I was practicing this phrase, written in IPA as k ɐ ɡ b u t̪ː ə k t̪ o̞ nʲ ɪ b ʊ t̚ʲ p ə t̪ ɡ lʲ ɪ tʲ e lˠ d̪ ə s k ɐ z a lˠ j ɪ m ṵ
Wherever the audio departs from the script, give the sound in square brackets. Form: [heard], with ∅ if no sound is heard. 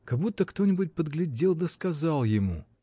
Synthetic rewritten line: k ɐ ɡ b u t̪ː ə k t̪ o̞ nʲ ɪ b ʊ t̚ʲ p ə [d̪] ɡ lʲ ɪ [dʲ] e lˠ d̪ ə s k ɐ z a lˠ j ɪ m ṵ